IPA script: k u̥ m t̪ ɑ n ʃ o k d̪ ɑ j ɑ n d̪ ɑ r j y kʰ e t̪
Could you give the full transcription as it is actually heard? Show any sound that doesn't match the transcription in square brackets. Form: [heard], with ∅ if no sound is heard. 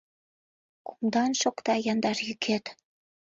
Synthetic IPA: k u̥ m [d̪] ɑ n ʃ o k [t̪] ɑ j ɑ n d̪ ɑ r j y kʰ e t̪